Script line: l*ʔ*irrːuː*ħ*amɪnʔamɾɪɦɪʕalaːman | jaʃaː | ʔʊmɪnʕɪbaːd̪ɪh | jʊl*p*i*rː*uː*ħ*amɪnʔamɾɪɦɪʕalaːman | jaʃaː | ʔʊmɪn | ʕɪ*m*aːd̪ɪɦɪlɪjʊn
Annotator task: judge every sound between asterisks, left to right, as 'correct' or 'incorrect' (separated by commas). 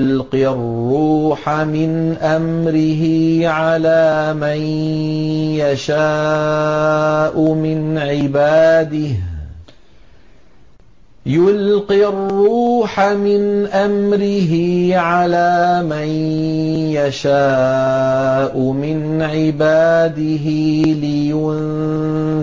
incorrect, correct, incorrect, correct, correct, incorrect